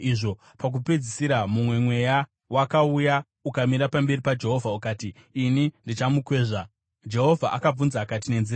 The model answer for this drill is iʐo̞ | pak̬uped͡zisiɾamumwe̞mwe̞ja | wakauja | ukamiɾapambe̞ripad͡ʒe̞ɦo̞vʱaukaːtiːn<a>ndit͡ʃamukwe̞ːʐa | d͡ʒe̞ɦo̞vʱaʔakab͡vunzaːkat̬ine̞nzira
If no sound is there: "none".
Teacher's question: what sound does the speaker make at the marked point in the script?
i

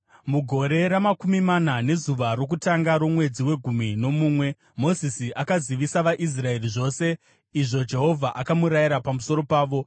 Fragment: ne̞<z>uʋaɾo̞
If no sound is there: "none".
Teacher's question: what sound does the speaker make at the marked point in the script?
z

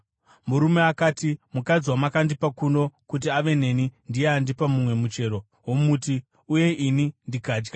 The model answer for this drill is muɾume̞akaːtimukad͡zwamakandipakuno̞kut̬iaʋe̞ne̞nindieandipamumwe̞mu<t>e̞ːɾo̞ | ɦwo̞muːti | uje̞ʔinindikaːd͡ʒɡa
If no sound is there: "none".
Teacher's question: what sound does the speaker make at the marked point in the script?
t͡ʃ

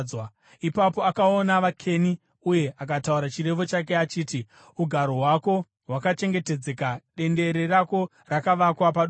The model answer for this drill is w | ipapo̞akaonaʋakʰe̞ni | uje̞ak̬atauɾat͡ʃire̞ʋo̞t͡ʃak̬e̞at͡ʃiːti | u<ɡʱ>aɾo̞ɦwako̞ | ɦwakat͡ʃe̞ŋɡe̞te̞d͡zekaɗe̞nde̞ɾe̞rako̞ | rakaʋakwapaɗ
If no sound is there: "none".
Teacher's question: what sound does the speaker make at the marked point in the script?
ɡʱ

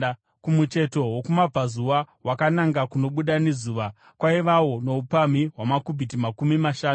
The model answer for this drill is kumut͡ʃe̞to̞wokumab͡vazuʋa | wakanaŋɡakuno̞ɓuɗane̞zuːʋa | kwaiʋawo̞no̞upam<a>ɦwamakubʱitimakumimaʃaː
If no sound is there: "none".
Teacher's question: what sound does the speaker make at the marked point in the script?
i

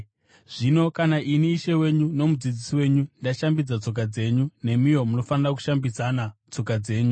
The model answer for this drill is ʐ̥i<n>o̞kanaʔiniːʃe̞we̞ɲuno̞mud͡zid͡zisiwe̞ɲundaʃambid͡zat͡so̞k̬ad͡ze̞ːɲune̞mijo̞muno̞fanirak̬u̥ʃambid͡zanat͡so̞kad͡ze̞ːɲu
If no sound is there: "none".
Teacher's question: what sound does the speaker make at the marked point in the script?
n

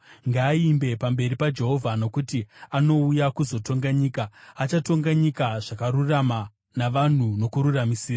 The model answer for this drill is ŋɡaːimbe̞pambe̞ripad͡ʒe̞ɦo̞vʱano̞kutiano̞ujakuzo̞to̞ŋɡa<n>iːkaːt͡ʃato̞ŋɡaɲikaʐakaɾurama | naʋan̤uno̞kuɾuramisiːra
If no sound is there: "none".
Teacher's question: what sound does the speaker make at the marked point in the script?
ɲ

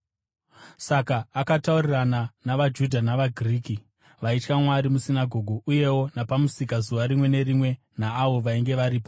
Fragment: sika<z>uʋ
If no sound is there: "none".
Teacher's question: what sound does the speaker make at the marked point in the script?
z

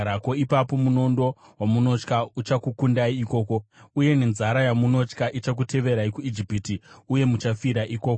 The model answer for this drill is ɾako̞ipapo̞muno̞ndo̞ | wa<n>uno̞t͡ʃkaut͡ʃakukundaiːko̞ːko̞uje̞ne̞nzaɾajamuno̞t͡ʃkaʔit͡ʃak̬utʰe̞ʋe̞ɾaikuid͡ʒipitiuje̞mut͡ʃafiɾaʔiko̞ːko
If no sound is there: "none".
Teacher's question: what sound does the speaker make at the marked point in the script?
m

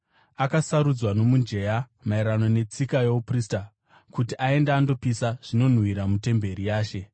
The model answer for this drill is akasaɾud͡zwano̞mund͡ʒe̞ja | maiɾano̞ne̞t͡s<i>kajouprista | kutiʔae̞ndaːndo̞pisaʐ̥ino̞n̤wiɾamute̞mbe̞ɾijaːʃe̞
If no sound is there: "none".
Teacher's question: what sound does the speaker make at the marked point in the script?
i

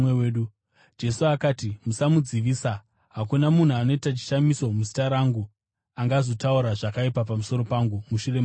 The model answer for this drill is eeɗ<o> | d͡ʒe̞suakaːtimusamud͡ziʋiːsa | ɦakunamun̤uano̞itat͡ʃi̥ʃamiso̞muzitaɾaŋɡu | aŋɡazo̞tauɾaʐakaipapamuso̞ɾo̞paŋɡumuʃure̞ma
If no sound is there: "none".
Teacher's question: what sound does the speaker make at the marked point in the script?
u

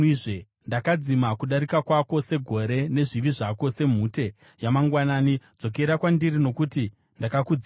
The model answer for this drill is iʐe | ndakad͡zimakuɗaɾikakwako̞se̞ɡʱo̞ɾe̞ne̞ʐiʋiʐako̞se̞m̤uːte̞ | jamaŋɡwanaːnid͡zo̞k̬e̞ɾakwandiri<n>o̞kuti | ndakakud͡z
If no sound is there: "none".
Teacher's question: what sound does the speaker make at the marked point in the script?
n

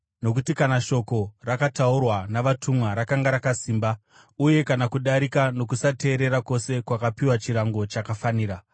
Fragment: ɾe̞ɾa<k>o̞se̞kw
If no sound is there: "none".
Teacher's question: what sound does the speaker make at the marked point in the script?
k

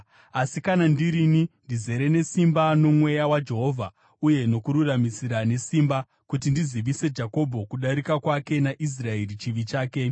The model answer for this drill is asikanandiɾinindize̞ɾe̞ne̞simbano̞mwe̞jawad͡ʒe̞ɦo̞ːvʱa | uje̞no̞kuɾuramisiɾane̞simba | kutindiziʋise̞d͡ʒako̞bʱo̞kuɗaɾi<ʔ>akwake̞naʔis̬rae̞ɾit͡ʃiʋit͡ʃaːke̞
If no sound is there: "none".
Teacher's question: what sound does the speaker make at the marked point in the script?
k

